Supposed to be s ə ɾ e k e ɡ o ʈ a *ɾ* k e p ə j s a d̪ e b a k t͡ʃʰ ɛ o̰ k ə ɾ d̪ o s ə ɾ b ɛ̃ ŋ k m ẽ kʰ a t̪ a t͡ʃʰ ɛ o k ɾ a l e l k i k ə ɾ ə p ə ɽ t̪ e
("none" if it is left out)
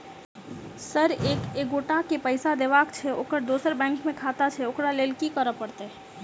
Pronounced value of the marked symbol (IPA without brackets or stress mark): none